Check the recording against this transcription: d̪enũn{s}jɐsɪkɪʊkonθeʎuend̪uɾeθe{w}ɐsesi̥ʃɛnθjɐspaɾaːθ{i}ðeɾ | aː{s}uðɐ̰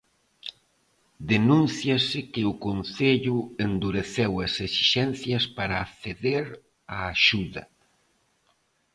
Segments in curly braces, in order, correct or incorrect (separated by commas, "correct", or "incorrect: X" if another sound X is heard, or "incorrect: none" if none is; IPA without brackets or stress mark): incorrect: θ, correct, incorrect: e, incorrect: ʃ